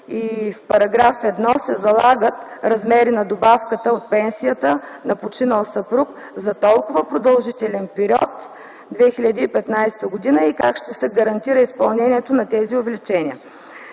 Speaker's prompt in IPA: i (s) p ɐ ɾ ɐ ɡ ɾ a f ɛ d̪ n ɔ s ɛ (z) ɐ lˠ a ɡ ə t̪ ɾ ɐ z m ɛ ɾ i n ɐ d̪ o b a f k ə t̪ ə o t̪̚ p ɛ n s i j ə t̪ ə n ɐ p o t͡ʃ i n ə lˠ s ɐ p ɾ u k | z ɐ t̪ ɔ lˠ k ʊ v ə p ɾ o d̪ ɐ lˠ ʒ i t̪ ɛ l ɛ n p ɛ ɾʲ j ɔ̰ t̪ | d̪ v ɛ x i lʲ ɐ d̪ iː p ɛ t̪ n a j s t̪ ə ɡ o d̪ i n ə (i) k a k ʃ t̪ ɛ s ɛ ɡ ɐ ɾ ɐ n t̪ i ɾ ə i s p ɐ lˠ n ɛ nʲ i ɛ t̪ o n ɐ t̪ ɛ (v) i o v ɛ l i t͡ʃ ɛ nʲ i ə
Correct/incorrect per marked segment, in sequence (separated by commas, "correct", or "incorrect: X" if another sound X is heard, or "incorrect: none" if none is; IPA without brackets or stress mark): incorrect: f, correct, correct, incorrect: z